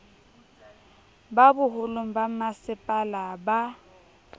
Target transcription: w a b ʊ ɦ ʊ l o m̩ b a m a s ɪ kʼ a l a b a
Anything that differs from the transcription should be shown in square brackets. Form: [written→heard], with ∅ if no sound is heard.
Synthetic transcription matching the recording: [w→b] a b ʊ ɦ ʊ l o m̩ b a m a s ɪ [kʼ→pʼ] a l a b a